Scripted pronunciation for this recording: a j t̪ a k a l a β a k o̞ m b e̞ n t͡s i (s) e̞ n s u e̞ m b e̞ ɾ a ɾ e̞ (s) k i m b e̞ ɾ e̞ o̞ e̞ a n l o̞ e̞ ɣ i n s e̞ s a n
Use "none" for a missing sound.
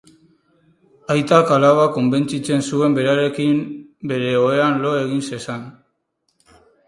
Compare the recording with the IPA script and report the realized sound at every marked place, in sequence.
t͡s, none

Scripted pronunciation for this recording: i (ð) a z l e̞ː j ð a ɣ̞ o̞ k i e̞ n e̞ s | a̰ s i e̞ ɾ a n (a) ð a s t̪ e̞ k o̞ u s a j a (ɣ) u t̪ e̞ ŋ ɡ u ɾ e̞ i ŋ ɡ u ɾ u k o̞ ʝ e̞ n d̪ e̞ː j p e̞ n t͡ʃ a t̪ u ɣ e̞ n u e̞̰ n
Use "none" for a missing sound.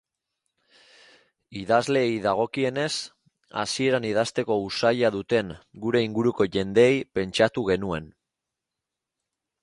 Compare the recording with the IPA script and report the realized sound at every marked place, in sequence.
ð, i, ð

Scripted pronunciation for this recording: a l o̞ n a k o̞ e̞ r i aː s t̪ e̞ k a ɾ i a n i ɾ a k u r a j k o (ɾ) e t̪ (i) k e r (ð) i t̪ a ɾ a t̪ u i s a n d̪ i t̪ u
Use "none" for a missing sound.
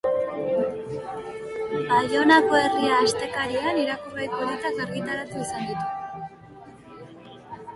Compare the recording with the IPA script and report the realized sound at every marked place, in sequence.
ɾ, a, ɣ

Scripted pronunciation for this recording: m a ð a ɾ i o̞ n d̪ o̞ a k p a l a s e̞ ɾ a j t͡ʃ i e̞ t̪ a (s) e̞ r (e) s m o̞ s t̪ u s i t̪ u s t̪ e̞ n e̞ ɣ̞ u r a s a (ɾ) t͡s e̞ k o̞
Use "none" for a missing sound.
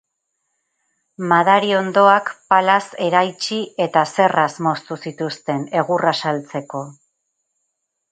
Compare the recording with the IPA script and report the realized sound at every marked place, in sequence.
s, a, l

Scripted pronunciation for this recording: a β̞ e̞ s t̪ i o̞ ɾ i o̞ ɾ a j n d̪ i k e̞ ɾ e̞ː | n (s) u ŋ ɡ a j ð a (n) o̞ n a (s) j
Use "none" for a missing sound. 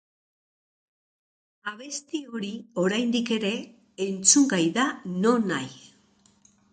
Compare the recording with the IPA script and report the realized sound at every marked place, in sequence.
t͡s, n, none

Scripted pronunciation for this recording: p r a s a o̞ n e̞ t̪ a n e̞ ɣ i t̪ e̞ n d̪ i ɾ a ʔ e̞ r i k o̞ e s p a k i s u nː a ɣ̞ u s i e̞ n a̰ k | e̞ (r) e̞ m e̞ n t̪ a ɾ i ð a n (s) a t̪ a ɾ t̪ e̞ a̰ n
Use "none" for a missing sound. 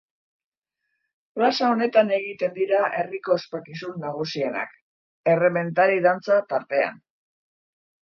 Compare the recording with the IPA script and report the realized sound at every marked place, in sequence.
r, t͡s

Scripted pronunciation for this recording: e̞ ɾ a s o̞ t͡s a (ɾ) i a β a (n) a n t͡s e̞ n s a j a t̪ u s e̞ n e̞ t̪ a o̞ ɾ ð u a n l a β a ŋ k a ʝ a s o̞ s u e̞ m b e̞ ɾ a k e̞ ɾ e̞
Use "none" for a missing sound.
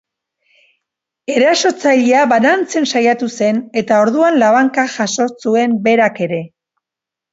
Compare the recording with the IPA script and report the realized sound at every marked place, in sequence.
ʎ, n

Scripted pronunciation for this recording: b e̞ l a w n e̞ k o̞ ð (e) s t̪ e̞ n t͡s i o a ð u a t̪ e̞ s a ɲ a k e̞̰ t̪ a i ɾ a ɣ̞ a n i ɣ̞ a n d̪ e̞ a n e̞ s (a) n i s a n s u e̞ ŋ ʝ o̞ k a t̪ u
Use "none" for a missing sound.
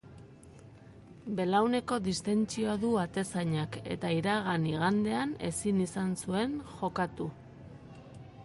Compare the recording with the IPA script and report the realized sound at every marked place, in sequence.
i, i

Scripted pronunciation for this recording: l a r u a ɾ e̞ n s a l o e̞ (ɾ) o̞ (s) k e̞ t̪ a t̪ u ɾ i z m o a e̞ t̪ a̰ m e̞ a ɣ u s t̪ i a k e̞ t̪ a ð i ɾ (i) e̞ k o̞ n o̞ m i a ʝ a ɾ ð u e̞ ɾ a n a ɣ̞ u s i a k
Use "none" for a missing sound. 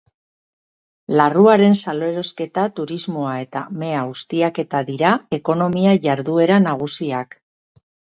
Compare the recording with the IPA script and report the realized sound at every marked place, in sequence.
ɾ, s, a

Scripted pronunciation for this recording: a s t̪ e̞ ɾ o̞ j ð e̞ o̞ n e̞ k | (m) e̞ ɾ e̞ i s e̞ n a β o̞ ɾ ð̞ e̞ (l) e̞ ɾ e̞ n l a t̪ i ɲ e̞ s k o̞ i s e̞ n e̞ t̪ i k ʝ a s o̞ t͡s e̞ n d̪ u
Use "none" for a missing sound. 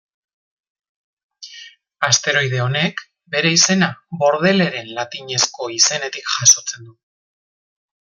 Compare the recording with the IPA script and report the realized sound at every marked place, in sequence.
b, l

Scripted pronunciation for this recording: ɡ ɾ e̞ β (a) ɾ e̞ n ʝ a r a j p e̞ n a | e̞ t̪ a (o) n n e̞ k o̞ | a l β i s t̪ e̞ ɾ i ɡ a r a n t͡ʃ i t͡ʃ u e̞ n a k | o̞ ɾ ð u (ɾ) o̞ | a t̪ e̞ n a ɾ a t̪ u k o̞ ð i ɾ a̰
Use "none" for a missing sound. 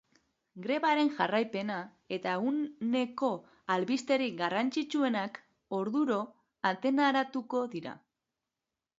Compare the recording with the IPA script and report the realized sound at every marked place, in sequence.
a, u, ɾ

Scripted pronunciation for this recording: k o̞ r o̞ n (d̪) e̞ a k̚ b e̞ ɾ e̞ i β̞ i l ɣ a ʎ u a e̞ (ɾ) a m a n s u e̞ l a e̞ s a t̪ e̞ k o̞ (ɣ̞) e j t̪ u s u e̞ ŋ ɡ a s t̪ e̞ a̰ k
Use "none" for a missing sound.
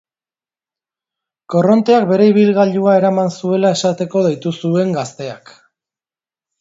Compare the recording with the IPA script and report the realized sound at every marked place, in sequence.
t̪, ɾ, ð̞

